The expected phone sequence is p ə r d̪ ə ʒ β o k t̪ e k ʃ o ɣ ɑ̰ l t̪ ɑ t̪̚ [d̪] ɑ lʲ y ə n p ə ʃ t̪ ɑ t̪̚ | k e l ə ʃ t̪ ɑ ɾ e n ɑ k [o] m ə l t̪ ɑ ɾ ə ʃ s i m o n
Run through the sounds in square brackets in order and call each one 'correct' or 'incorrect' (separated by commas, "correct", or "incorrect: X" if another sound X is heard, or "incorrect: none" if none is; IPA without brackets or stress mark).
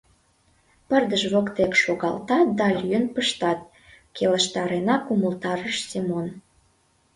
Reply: correct, incorrect: u